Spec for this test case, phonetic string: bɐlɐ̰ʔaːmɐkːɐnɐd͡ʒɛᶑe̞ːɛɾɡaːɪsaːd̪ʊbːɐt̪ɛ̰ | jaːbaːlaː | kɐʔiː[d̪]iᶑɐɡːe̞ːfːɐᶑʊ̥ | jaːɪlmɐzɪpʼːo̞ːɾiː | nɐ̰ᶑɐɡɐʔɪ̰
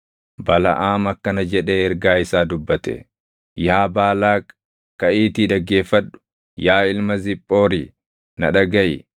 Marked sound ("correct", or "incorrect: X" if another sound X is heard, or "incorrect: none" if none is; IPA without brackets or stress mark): incorrect: t̪